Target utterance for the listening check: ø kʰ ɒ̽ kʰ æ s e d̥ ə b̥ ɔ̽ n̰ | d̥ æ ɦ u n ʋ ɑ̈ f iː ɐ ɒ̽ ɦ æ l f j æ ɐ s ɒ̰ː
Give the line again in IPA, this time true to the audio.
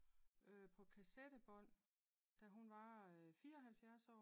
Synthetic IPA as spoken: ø pʰ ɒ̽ kʰ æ s e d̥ ə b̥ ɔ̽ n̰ | d̥ æ ɦ u n ʋ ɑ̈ f iː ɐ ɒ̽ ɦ æ l f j æ ɐ s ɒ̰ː